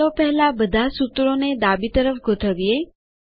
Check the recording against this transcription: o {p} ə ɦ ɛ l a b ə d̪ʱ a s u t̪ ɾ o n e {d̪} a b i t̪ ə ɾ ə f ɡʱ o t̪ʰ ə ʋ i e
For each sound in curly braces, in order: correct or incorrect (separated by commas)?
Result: correct, correct